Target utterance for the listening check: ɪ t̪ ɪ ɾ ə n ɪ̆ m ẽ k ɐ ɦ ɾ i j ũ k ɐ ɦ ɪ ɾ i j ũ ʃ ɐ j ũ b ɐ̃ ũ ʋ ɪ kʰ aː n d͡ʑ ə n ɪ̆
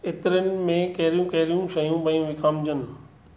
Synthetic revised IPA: ɪ t̪ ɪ ɾ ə n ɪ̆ m ẽ k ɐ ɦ ɾ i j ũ k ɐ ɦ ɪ ɾ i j ũ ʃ ɐ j ũ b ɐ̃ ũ ʋ ɪ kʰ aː m d͡ʑ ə n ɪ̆